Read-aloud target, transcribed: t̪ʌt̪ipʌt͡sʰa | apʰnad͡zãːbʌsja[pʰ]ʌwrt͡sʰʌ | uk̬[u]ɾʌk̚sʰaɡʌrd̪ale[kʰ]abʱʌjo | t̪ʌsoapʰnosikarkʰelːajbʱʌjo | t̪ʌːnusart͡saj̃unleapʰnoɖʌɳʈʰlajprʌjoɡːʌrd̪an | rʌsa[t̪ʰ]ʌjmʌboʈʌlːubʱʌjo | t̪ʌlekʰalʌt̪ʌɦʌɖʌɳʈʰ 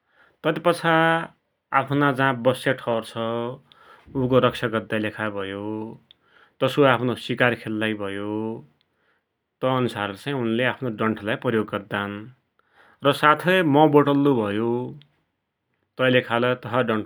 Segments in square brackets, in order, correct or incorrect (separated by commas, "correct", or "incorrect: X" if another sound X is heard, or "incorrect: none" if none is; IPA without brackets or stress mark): incorrect: ʈʰ, incorrect: o, correct, correct